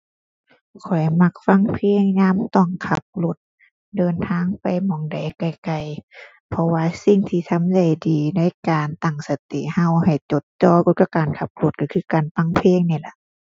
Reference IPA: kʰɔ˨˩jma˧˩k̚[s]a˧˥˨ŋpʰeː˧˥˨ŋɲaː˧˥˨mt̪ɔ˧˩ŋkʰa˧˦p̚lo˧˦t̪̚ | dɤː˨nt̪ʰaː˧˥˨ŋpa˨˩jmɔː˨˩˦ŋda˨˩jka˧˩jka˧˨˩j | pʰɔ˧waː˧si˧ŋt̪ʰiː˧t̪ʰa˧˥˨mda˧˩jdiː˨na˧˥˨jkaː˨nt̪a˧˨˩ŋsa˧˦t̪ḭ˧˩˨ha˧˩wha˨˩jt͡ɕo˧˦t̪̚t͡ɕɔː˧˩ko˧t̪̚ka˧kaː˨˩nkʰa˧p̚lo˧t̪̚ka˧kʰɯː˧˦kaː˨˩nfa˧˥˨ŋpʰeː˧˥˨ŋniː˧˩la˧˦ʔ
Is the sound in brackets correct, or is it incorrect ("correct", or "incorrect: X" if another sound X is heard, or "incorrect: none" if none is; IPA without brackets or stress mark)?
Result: incorrect: f